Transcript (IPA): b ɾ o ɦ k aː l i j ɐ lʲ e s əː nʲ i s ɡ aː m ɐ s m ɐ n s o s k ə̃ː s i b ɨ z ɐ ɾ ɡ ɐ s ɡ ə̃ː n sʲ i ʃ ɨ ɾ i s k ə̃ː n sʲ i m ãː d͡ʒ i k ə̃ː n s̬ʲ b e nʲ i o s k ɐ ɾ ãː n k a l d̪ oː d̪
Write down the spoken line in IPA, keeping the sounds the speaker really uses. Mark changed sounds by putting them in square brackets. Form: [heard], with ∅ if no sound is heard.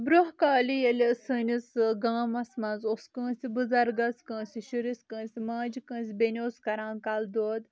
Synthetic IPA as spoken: b ɾ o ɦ k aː l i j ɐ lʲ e s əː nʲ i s ɡ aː m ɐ s m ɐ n [z] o s k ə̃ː s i b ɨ z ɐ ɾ ɡ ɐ s [k] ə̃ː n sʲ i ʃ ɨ ɾ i s k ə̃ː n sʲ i m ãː d͡ʒ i k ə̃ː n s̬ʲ b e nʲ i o s k ɐ ɾ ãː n k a l d̪ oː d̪